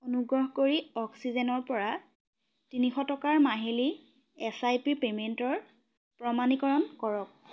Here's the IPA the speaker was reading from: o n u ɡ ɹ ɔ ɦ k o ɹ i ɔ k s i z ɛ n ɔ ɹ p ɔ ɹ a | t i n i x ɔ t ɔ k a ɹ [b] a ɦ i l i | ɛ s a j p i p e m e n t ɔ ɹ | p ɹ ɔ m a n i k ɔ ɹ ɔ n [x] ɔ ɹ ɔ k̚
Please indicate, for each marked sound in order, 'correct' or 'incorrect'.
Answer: incorrect, incorrect

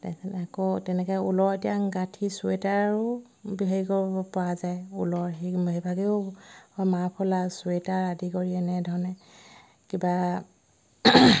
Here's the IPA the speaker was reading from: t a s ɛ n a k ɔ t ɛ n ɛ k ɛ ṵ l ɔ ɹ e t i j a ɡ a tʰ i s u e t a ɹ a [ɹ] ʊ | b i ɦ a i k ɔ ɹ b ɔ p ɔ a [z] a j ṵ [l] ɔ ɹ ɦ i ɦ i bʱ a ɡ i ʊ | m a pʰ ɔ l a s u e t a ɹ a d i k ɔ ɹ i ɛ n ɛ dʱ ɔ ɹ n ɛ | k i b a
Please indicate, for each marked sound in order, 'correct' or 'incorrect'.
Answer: correct, correct, correct

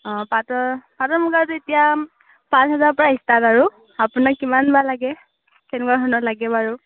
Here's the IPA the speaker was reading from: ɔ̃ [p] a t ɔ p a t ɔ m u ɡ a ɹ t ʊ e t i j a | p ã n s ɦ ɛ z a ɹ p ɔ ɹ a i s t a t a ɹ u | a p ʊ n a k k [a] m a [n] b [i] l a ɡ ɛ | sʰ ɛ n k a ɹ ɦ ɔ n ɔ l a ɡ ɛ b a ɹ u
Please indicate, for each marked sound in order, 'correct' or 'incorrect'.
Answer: correct, incorrect, correct, incorrect

